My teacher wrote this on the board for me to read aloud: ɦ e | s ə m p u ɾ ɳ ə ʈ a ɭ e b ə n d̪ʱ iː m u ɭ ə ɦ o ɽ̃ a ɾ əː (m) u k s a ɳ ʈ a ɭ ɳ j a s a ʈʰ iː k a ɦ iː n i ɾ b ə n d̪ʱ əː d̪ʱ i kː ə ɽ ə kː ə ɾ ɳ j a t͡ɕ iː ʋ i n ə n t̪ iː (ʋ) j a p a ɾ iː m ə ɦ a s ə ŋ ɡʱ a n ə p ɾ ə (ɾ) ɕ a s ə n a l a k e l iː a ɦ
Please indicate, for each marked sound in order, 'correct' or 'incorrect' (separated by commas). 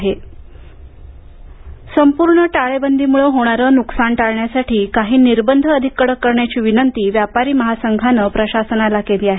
incorrect, correct, incorrect